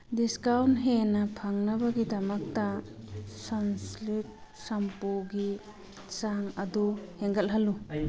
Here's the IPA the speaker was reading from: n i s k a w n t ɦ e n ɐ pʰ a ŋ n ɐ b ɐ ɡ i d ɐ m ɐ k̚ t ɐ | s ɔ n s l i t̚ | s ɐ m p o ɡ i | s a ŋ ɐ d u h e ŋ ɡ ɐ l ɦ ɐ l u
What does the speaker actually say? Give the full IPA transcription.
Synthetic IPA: d i s k a w n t ɦ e n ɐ pʰ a ŋ n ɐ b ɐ ɡ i d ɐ m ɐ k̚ t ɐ | s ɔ n s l i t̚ | s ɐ m p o ɡ i | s a ŋ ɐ d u h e ŋ ɡ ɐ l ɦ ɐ l u